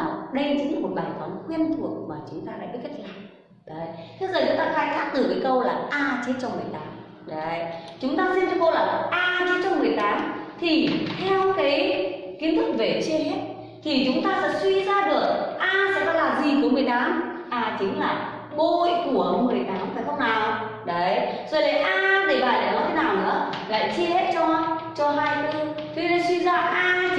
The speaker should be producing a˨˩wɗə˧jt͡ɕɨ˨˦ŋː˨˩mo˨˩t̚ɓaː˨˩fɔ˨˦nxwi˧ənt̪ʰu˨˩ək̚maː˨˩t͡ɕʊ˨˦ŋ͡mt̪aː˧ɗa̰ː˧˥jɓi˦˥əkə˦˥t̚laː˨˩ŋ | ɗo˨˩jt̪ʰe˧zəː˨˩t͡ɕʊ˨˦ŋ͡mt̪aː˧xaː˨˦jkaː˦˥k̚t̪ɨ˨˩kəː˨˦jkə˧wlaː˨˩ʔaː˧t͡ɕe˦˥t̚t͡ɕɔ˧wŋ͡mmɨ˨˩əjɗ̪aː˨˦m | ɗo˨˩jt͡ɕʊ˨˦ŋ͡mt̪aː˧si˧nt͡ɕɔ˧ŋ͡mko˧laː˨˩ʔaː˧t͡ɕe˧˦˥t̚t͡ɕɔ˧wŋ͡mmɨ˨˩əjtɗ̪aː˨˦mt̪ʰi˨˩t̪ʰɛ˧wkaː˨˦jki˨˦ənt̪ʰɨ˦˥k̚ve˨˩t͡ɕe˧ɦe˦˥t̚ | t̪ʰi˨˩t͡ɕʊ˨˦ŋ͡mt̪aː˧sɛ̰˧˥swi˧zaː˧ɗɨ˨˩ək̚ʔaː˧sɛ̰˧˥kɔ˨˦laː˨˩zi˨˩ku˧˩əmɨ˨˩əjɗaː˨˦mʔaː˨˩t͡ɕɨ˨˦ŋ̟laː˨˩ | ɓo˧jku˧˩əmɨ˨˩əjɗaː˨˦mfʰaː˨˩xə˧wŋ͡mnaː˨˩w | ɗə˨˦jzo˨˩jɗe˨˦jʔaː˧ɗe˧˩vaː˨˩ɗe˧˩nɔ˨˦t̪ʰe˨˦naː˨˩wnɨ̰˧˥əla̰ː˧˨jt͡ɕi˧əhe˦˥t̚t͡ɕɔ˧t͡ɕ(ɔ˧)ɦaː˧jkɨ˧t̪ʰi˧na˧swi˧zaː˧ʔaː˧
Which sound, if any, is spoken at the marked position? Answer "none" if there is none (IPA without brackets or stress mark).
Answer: ɔ˧